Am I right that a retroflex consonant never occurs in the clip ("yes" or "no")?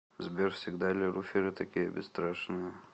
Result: no